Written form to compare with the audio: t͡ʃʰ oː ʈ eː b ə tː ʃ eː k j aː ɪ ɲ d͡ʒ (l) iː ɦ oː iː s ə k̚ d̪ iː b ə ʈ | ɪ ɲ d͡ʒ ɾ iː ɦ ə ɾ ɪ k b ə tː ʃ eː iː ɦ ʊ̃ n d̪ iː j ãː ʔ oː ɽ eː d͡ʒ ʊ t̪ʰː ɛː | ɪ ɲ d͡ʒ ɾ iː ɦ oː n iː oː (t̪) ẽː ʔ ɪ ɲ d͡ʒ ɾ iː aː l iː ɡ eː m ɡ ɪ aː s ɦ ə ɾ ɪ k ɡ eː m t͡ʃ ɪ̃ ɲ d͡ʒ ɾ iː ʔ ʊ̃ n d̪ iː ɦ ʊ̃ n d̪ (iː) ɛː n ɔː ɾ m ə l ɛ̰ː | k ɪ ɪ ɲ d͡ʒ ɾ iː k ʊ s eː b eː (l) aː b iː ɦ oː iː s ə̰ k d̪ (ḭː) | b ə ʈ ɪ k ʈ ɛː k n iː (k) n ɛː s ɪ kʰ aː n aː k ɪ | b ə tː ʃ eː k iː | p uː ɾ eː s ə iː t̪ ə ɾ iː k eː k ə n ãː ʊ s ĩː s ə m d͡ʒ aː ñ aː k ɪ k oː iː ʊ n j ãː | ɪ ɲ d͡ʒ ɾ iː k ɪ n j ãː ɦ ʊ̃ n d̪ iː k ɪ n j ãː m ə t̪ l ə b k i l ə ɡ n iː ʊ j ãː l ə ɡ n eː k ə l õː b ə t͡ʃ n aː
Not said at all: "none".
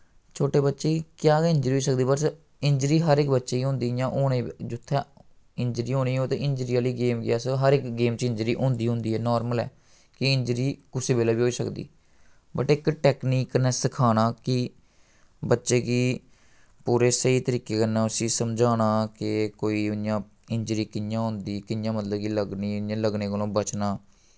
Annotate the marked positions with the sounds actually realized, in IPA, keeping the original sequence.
ɾ, t̪, iː, l, ḭː, k

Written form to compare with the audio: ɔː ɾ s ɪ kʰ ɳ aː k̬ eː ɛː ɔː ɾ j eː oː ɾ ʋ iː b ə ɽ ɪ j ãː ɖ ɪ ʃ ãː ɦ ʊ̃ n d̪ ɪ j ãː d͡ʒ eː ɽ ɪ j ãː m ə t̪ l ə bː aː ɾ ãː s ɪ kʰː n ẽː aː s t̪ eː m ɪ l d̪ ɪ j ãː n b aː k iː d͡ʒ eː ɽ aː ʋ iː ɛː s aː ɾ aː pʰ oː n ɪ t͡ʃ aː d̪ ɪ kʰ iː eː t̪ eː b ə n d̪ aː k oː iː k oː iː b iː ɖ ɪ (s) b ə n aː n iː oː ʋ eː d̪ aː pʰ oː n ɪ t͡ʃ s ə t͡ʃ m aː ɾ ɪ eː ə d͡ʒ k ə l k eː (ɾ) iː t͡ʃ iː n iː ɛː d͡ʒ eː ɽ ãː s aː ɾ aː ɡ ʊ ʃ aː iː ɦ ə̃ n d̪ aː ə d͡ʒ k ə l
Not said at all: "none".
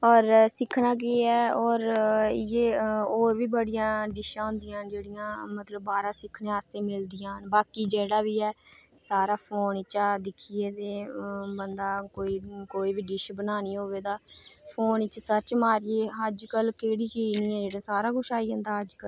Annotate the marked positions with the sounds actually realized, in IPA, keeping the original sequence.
ʃ, ɽ

